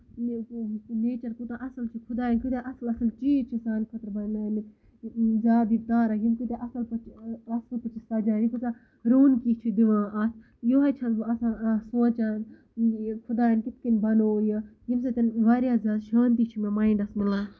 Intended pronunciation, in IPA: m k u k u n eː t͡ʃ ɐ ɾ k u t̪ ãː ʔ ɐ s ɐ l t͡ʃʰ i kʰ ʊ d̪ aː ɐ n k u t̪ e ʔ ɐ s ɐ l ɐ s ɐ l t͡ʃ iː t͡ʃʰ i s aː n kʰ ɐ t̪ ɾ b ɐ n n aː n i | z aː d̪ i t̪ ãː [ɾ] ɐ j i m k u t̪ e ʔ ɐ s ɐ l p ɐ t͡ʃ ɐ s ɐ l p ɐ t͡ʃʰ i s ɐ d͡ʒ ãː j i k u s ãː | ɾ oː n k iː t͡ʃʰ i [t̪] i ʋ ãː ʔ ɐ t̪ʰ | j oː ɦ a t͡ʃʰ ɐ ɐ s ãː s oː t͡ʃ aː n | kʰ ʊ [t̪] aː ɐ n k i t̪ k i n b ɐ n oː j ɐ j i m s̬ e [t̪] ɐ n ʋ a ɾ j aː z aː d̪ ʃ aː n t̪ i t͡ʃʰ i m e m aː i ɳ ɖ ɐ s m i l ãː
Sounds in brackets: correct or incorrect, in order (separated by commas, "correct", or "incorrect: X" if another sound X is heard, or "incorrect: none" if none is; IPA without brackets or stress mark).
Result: correct, incorrect: d̪, incorrect: d̪, correct